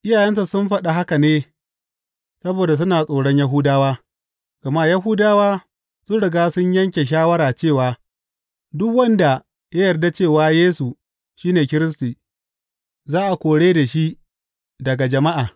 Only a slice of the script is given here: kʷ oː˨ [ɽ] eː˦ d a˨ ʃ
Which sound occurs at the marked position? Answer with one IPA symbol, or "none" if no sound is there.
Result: ɽ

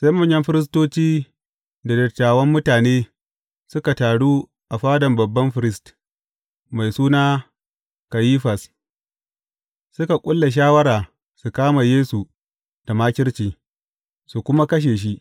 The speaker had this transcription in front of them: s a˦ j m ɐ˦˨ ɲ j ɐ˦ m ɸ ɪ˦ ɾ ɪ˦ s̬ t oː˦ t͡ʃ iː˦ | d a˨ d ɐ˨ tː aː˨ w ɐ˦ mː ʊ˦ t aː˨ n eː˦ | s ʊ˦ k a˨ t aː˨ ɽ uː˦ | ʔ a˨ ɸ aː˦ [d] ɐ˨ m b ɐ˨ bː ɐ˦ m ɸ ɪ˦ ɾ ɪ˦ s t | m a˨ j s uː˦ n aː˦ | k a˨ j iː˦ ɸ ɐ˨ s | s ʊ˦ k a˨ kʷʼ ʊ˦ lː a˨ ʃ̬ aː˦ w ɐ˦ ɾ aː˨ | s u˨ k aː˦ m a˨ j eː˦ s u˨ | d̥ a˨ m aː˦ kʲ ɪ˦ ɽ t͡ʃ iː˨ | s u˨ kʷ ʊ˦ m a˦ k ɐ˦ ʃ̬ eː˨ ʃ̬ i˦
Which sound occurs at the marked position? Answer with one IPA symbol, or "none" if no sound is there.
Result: d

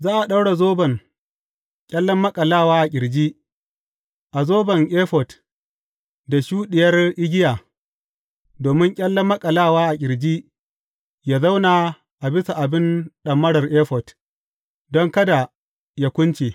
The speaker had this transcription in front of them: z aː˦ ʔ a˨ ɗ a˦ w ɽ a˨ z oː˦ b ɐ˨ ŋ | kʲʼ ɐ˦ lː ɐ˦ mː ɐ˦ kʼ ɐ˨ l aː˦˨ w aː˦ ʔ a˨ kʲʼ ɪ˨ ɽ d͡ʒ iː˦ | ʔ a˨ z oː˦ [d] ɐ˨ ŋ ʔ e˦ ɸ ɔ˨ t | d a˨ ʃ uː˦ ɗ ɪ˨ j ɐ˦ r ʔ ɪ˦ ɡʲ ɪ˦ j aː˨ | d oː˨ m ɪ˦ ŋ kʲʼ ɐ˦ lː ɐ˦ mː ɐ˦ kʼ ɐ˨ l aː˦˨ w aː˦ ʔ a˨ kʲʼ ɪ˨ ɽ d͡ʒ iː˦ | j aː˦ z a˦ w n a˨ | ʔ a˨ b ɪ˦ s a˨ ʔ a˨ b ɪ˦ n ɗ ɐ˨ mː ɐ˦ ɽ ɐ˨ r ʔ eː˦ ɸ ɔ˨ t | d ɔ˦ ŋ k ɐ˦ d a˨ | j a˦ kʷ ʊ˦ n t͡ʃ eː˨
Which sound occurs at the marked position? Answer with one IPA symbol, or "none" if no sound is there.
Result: b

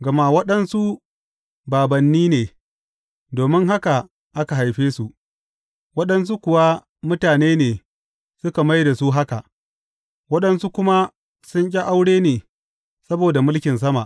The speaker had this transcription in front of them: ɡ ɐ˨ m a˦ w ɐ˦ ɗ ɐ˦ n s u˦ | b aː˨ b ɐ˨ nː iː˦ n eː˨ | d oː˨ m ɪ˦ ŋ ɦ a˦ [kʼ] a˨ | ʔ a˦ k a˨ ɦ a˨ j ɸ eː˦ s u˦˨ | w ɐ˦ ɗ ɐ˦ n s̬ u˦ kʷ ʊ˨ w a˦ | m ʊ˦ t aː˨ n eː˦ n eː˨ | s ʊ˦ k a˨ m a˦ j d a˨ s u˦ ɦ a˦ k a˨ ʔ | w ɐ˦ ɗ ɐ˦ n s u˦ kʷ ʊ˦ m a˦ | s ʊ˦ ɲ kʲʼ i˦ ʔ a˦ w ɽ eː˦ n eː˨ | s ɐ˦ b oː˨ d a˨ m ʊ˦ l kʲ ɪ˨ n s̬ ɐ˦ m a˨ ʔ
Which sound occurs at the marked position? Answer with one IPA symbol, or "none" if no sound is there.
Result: k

